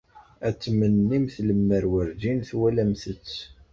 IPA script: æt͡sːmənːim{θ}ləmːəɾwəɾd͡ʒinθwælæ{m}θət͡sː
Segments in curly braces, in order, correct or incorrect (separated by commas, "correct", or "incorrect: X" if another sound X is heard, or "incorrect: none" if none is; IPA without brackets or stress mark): correct, correct